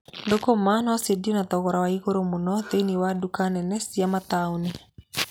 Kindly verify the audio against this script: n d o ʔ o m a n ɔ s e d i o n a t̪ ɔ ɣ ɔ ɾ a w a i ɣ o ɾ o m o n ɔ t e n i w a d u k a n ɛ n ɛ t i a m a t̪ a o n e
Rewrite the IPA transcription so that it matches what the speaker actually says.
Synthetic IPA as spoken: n d o k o m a n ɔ s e d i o n a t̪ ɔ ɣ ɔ ɾ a w a i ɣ o ɾ o m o n ɔ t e n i w a d u k a n ɛ n ɛ s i a m a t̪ a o n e